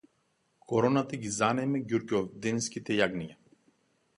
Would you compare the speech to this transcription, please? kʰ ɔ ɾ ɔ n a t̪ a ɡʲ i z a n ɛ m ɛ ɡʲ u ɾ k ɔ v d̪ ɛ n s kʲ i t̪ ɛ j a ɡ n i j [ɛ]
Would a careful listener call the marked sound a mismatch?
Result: yes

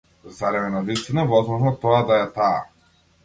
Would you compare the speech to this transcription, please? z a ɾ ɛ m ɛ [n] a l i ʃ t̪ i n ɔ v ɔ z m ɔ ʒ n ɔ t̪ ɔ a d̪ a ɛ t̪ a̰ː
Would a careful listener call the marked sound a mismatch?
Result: no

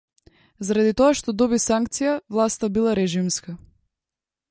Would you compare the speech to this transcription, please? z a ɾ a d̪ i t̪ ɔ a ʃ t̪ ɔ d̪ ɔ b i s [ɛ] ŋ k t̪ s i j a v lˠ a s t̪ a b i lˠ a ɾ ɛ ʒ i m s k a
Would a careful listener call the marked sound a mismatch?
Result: yes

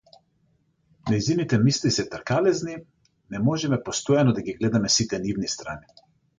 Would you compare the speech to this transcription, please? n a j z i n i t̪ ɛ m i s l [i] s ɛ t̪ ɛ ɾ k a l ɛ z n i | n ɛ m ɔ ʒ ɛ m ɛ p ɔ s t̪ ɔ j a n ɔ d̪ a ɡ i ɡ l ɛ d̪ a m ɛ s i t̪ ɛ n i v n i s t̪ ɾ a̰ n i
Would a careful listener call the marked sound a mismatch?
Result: no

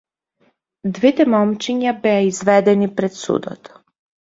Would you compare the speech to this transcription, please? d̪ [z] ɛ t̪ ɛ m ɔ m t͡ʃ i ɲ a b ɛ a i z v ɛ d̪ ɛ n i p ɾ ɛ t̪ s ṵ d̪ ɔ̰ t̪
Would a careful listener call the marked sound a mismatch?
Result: yes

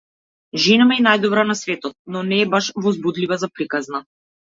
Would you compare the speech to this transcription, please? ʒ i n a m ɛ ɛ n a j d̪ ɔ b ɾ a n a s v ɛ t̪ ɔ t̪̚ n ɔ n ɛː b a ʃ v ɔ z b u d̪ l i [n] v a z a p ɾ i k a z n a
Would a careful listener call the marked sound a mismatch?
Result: yes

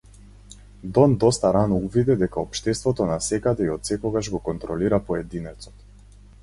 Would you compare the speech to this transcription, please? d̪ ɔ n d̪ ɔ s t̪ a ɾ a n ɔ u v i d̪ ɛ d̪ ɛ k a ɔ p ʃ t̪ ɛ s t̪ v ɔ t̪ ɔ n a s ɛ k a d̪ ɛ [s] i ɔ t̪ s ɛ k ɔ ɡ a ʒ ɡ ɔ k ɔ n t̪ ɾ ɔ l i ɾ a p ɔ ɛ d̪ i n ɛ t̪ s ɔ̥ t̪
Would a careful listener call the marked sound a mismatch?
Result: yes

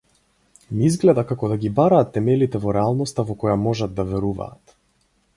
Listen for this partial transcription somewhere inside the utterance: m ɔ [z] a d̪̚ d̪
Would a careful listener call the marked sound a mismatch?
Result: yes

